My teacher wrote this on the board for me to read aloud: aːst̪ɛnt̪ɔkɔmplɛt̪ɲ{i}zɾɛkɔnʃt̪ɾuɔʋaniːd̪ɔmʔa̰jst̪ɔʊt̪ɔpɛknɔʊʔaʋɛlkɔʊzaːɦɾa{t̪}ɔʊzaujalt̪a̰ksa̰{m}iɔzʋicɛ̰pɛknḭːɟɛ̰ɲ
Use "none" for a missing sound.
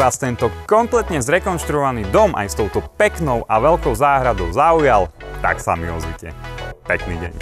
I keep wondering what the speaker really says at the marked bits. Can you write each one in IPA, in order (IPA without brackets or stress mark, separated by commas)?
ɛ, d̪, m